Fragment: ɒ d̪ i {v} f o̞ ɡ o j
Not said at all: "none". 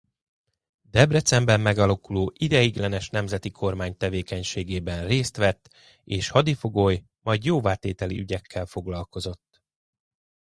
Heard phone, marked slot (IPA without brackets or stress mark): none